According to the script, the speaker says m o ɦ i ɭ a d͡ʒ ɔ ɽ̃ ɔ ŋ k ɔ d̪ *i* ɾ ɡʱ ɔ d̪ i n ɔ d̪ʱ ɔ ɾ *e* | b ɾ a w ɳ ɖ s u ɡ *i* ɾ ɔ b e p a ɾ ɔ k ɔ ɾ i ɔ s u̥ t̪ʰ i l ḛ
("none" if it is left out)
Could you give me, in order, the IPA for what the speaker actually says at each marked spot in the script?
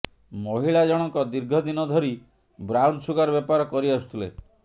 i, i, a

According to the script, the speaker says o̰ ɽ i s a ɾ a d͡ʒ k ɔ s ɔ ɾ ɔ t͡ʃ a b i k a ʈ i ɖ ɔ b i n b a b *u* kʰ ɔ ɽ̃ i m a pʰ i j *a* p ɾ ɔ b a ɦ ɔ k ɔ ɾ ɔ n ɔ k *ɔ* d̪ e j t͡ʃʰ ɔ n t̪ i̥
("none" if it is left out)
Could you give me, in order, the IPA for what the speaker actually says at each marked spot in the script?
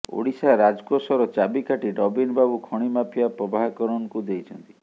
u, a, u

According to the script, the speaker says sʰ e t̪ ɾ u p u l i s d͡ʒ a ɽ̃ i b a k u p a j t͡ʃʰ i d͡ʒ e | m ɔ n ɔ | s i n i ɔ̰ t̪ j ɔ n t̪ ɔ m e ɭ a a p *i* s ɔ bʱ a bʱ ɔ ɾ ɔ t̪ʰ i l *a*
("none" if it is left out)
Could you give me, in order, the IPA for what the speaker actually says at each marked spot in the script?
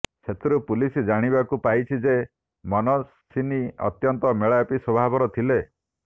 i, e

